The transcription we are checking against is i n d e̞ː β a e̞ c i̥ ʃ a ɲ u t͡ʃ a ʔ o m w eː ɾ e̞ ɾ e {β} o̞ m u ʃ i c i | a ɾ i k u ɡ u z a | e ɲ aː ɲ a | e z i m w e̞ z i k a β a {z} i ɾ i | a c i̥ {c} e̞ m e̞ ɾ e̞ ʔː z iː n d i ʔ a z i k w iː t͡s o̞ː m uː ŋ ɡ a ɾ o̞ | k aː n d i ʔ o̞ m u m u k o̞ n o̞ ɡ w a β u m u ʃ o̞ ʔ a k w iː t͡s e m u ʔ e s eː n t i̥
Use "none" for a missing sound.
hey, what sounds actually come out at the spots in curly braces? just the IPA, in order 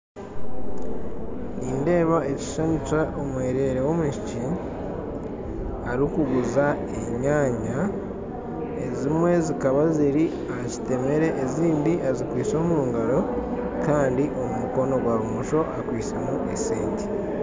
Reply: w, z, t

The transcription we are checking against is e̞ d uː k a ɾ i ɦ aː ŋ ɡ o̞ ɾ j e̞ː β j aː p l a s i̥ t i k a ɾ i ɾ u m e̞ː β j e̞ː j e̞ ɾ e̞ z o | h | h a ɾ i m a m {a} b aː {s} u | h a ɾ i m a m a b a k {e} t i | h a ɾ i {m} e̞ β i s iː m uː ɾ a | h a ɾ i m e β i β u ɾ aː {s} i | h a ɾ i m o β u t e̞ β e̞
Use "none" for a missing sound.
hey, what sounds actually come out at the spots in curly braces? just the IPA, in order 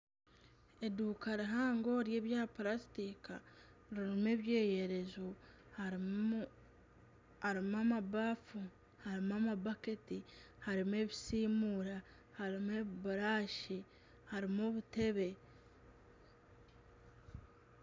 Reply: a, f, e, m, ʃ

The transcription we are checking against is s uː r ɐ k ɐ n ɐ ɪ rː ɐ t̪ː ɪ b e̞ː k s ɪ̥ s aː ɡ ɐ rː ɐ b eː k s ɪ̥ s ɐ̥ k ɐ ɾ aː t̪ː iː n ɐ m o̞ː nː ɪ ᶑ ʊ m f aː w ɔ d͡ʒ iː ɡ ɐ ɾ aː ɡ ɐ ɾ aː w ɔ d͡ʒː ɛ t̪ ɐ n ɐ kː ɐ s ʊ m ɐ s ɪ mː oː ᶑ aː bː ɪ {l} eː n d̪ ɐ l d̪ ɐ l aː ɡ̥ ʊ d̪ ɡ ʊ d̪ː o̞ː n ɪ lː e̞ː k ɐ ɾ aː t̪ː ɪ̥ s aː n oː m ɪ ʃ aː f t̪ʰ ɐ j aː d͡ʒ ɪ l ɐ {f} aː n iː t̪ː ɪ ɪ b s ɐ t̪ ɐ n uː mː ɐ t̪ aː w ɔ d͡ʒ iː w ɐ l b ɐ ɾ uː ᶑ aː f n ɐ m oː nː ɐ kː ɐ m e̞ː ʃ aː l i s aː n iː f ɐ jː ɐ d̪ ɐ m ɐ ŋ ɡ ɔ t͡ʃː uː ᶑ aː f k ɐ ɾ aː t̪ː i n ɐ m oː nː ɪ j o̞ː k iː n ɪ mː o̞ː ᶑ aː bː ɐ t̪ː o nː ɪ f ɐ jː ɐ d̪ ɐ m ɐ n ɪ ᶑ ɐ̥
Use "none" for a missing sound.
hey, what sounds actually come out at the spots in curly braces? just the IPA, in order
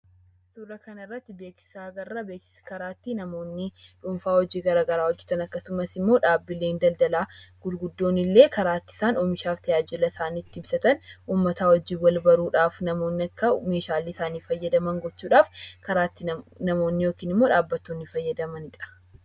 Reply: l, s

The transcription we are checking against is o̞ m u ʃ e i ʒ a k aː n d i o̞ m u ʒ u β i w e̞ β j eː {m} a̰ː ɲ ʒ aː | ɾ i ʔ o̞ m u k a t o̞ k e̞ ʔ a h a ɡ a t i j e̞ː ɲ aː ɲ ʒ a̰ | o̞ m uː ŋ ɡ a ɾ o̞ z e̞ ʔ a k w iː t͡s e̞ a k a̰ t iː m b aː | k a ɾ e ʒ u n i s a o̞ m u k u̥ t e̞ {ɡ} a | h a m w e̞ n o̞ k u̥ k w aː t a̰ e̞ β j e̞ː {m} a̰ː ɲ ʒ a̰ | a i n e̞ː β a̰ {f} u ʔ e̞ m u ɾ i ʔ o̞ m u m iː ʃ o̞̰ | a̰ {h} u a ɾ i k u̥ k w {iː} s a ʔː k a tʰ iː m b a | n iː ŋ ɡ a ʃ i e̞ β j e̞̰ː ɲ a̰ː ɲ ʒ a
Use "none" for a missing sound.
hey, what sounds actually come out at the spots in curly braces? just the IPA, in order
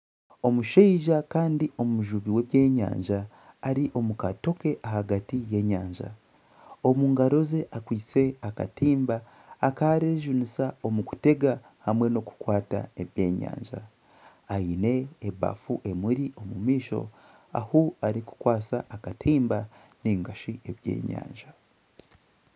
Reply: ɲ, ɡ, ɲ, f, h, aː

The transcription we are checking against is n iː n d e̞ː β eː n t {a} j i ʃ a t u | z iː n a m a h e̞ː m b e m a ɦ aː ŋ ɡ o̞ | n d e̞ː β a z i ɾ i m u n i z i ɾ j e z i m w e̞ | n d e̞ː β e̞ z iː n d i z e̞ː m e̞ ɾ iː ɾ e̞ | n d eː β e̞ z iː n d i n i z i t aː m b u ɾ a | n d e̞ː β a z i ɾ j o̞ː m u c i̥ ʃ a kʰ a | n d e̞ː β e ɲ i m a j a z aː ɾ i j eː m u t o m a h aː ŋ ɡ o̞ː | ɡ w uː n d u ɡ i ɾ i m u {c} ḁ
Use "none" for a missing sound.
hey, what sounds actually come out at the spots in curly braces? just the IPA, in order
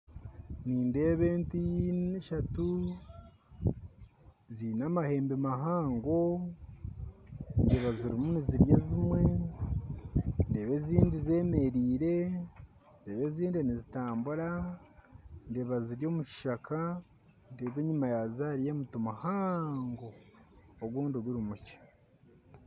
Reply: i, c

